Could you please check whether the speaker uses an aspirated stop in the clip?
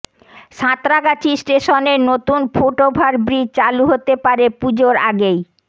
no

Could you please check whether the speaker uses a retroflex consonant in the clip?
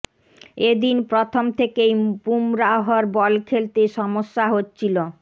no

